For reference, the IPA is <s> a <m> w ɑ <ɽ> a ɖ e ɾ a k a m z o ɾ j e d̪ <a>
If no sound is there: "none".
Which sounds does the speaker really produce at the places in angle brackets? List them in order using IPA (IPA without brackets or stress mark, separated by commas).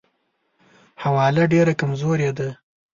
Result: h, none, l, a